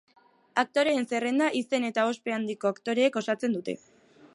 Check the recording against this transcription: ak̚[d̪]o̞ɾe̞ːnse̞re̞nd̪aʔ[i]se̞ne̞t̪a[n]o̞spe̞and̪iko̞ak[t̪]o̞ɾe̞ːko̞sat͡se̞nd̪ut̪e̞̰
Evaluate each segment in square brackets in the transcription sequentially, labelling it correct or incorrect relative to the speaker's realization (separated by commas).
incorrect, correct, incorrect, correct